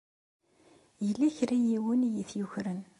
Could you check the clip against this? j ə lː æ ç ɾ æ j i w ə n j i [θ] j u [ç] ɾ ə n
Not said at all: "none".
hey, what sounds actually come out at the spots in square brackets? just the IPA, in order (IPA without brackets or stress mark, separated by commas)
θ, ç